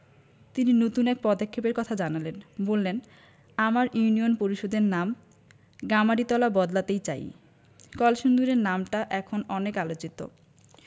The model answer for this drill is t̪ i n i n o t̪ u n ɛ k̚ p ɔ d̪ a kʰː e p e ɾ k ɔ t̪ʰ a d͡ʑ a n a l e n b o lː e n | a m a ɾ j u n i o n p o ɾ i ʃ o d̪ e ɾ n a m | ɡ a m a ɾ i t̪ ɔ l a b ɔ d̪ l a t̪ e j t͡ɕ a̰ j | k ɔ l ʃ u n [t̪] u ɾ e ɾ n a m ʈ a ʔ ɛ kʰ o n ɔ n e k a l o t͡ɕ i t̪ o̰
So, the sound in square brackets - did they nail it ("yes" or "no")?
no